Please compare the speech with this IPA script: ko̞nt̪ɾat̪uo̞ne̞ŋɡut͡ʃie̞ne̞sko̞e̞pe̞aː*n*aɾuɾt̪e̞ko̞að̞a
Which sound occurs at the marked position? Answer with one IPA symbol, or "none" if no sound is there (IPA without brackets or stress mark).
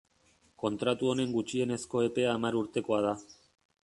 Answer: m